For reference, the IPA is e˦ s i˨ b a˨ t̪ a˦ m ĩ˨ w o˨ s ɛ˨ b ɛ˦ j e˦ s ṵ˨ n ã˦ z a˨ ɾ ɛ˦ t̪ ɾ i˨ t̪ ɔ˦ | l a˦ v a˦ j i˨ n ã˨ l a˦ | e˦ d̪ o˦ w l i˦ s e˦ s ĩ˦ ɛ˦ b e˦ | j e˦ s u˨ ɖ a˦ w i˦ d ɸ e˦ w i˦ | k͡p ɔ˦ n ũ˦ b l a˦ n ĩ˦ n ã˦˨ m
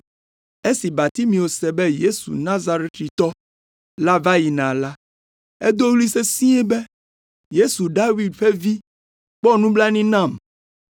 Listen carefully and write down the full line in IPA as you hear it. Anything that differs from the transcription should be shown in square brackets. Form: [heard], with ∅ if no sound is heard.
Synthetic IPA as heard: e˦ s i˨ b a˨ t̪ [i˦] m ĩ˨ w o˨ s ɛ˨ b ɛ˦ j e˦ s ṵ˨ n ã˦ z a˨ ɾ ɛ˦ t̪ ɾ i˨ t̪ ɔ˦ | l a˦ v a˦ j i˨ n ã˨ l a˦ | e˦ d̪ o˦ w l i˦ s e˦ s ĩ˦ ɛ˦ b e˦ | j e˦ s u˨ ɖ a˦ w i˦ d ɸ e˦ [v] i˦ | k͡p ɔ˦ n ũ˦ b l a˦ n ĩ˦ n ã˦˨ m